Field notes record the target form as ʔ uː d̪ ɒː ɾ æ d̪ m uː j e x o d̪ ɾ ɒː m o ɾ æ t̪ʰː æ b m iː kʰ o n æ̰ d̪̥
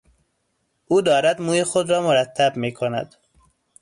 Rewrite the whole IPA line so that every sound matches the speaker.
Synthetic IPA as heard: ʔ uː d̪ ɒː ɾ æ d̪ m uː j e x o d̪ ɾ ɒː m o ɾ æ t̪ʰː æ b m iː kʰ o n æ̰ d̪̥